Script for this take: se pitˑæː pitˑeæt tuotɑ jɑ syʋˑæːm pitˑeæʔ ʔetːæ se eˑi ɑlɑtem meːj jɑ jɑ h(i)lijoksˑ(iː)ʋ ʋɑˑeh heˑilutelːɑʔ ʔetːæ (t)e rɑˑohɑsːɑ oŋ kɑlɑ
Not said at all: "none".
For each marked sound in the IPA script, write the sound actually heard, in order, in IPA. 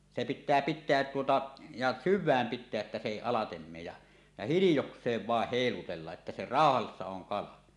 i, eː, s

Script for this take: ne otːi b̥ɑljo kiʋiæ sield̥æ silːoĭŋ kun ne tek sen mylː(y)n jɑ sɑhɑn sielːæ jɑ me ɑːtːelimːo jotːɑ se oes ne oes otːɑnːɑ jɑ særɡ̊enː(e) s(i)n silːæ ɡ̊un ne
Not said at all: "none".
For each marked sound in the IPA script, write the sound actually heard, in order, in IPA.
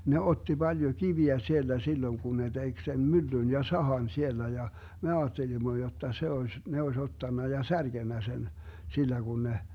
y, æ, e

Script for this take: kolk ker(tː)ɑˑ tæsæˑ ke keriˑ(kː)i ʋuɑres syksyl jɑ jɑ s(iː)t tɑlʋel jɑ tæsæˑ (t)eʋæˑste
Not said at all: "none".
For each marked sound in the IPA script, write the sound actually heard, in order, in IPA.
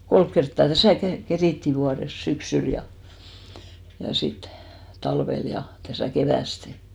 tː, tː, i, k

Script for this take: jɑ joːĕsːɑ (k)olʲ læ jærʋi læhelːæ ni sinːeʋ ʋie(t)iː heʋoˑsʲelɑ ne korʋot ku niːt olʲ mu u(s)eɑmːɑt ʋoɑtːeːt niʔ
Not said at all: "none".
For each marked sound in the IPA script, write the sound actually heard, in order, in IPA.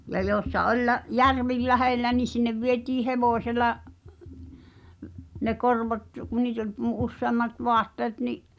ʔ, t, sː

